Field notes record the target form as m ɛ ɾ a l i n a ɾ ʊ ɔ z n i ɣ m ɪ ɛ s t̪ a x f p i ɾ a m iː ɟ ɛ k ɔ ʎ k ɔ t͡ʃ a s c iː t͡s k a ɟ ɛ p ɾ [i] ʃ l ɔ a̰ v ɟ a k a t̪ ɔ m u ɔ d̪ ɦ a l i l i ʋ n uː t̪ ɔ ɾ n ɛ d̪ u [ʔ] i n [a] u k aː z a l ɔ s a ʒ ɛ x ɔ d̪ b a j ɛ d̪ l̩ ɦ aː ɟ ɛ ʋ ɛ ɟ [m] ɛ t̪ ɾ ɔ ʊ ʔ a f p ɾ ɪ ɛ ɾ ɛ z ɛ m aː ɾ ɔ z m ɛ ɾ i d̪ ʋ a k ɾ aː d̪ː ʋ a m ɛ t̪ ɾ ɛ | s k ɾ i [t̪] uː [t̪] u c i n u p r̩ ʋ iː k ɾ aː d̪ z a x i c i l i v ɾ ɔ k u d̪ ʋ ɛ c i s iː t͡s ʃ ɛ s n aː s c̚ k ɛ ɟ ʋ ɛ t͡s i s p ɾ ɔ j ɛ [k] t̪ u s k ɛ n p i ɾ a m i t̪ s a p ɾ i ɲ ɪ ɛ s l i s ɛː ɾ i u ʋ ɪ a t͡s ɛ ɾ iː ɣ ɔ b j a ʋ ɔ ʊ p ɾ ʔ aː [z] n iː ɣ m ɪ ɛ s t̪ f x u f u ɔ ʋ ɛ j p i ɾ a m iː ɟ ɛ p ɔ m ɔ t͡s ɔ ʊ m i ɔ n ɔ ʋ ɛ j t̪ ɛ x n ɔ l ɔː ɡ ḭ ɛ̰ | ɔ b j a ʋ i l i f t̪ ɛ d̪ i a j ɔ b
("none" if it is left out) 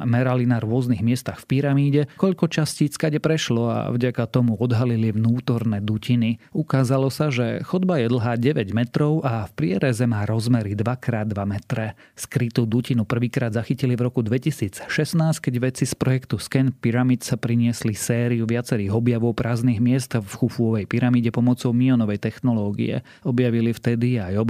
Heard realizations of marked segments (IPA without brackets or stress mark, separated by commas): ɛ, c, i, m, t̪, d̪, k, z